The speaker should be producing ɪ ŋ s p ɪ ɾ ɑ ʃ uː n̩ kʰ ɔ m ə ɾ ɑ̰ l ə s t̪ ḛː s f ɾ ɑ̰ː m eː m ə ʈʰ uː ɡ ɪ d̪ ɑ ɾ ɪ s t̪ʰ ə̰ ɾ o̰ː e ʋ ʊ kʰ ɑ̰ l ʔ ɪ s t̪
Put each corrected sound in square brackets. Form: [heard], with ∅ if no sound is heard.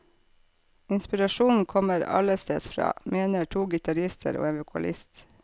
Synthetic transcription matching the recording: ɪ [n] s p ɪ ɾ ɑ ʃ uː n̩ kʰ ɔ m ə ɾ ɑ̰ l ə s t̪ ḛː s f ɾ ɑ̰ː m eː [n] ə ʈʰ uː ɡ ɪ [t̪] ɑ ɾ ɪ s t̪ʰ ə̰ ɾ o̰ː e ʋ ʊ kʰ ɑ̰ l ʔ ɪ s t̪

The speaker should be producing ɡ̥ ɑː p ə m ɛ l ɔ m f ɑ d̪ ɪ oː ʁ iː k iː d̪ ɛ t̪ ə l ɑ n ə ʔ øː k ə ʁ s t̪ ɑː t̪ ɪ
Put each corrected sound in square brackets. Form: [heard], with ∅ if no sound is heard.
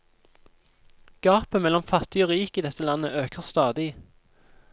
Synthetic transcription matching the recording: ɡ̥ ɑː p ə m ɛ l ɔ m f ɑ [t̪] ɪ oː ʁ iː k iː d̪ ɛ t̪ ə l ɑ n ə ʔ øː k ə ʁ s t̪ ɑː [d̪] ɪ

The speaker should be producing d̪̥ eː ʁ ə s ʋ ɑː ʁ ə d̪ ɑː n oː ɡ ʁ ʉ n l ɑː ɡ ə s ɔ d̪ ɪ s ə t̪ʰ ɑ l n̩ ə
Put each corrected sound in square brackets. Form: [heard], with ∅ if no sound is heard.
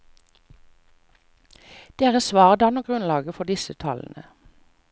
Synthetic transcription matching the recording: d̪̥ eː ʁ ə s ʋ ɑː ʁ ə d̪ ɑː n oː ɡ ʁ ʉ n l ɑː ɡ ə [f] ɔ d̪ ɪ s ə t̪ʰ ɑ l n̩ ə

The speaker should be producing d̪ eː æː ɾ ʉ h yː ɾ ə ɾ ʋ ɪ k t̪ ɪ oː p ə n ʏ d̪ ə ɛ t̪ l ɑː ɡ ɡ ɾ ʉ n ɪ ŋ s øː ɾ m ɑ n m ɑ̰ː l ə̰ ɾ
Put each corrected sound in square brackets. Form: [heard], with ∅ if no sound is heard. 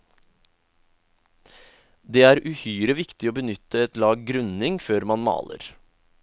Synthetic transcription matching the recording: d̪ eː æː ɾ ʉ h yː ɾ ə [∅] ʋ ɪ k t̪ ɪ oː [b] ə n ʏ [t̪] ə ɛ t̪ l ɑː ɡ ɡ ɾ ʉ n ɪ ŋ [f] øː ɾ m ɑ n m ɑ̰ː l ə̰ ɾ

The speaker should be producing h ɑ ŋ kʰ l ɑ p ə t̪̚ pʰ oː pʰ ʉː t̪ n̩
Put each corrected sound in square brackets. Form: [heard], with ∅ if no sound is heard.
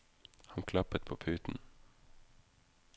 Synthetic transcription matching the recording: h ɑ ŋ kʰ l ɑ p ə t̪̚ pʰ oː pʰ ʉː t̪ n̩

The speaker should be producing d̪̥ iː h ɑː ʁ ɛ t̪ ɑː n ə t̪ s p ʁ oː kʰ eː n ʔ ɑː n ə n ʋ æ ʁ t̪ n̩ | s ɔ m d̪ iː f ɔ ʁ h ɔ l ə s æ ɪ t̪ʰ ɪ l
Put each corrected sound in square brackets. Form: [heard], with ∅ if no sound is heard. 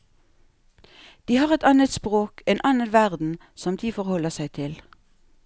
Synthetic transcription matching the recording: d̪̥ iː h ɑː ʁ ɛ t̪ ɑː n ə t̪ s p ʁ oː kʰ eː n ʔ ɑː n ə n ʋ æ ʁ [d̪] n̩ | s ɔ m d̪ iː f ɔ ʁ h ɔ l ə s æ ɪ t̪ʰ ɪ l

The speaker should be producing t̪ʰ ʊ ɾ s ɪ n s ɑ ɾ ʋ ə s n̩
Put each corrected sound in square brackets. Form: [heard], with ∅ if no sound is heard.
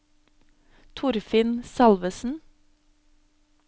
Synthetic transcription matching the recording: t̪ʰ ʊ ɾ [f] ɪ n s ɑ [l] ʋ ə s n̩

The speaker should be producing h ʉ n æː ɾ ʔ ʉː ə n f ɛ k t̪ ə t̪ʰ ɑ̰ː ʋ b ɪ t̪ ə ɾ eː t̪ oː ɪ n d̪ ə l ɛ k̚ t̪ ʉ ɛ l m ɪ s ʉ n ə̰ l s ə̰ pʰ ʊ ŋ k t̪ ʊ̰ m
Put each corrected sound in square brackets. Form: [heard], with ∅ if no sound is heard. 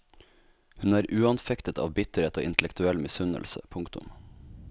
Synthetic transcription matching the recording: h ʉ n æː ɾ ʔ ʉː [ɑ] n f ɛ k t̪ ə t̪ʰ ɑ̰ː ʋ b ɪ t̪ ə ɾ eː t̪ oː ɪ n [t̪] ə l ɛ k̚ t̪ ʉ ɛ l m ɪ s ʉ n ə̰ l s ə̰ pʰ ʊ ŋ k t̪ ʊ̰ m

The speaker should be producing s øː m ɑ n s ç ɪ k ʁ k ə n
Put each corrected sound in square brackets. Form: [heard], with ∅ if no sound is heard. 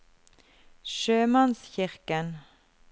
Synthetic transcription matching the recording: [ʃ] øː m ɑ n s ç ɪ [∅] ʁ k ə n

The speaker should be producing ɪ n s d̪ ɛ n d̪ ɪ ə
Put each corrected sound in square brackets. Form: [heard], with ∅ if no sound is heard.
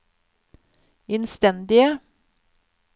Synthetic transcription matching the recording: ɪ n s [t̪] ɛ n d̪ ɪ ə

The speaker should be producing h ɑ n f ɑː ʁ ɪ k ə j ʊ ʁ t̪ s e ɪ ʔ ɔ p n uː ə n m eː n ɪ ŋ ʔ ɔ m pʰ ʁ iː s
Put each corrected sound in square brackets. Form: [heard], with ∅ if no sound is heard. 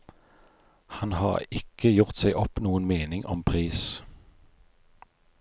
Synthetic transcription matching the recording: h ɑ n [h] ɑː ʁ ɪ k ə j ʊ ʁ t̪ s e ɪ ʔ ɔ p n uː ə n m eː n ɪ ŋ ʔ ɔ m pʰ ʁ iː s

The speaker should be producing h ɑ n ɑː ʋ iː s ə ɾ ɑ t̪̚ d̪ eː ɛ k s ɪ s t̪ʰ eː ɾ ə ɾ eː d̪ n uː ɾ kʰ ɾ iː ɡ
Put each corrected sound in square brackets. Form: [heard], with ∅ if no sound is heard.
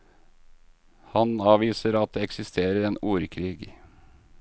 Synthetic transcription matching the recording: h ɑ n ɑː ʋ iː s ə ɾ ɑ t̪̚ d̪ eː ɛ k s ɪ s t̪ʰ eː ɾ ə ɾ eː [∅] n uː ɾ kʰ ɾ iː ɡ

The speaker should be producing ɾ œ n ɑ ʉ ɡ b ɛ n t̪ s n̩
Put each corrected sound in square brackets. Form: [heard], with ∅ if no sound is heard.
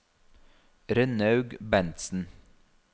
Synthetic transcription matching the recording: ɾ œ n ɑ ʉ ɡ b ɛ n t̪ s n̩

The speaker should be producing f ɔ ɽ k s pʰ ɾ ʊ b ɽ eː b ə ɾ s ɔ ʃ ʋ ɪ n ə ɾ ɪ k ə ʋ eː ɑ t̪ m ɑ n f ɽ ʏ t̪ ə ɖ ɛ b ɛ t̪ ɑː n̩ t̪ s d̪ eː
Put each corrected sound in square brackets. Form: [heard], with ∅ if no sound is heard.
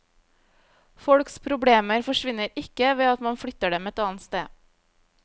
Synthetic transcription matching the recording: f ɔ ɽ k s pʰ ɾ ʊ b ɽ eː [m] ə ɾ [f] ɔ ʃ ʋ ɪ n ə ɾ ɪ k ə ʋ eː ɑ t̪ m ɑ n f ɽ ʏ t̪ ə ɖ ɛ [m] ɛ t̪ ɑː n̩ t̪ s [t̪] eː

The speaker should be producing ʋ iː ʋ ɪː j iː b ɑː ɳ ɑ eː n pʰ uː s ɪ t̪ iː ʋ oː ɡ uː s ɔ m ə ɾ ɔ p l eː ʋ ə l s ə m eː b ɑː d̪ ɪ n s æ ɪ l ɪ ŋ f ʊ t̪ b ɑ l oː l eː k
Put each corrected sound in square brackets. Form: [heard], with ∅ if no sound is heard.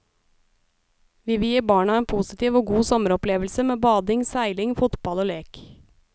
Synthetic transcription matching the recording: ʋ iː ʋ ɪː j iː b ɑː ɳ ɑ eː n pʰ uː s ɪ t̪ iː ʋ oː ɡ uː s ɔ m ə ɾ ɔ p l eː ʋ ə l s ə m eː b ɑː d̪ ɪ [ŋ] s æ ɪ l ɪ ŋ f ʊ t̪ b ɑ l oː l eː k

